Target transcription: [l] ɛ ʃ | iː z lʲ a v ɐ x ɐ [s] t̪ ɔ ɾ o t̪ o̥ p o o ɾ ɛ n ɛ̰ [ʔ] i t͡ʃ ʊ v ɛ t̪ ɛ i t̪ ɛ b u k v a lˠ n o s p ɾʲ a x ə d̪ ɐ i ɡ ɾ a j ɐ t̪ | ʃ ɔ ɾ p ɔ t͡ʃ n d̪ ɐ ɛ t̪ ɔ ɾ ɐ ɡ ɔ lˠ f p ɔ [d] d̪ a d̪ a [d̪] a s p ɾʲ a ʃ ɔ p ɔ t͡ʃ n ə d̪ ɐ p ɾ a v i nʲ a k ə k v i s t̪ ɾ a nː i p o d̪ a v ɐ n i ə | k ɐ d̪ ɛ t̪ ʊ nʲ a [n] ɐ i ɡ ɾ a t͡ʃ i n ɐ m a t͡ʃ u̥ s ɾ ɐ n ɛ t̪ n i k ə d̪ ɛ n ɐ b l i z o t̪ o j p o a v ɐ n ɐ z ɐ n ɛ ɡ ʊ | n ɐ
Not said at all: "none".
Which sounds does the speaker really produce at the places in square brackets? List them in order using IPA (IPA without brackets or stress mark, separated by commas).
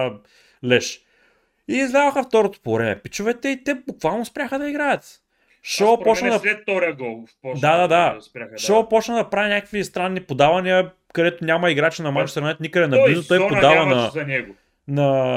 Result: l, f, p, d, d̪, m